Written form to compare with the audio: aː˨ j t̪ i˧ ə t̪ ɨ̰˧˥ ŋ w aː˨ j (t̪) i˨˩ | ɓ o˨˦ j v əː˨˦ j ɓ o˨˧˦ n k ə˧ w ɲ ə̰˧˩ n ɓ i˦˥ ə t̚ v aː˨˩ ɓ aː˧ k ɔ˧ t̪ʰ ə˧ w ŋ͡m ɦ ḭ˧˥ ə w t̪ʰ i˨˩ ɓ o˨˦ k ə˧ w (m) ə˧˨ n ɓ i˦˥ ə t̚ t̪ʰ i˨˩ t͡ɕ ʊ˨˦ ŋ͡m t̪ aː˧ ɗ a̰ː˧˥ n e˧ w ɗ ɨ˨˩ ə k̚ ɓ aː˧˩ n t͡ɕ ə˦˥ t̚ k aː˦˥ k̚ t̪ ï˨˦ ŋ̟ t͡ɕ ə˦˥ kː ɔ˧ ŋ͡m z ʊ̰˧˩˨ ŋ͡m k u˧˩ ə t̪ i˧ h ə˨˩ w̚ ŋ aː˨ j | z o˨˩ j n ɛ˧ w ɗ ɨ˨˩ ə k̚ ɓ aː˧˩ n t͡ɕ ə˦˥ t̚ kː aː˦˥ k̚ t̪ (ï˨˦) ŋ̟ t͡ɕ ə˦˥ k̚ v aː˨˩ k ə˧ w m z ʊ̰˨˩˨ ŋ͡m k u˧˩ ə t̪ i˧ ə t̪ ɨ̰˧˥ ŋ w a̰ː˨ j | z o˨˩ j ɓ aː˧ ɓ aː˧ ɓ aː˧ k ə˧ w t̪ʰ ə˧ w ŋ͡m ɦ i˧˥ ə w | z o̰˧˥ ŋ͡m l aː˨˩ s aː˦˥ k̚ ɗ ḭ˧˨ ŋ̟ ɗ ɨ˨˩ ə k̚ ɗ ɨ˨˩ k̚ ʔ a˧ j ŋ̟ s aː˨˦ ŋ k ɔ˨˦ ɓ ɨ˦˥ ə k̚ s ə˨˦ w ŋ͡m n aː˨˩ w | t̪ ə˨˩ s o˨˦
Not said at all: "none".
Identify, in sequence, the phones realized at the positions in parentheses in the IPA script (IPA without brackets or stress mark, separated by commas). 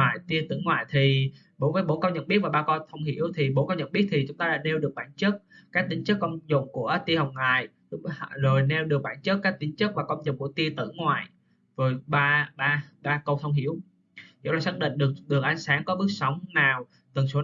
t̪ʰ, ɲ, ï˨˦